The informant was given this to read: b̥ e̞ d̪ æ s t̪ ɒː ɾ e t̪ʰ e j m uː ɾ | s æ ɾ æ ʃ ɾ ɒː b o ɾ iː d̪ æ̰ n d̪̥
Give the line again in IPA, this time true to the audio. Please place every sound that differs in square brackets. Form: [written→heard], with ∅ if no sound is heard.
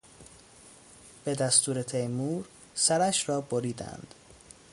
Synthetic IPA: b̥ e̞ d̪ æ s t̪ [ɒː→uː] ɾ e t̪ʰ e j m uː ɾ | s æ ɾ æ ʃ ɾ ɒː b o ɾ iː d̪ æ̰ n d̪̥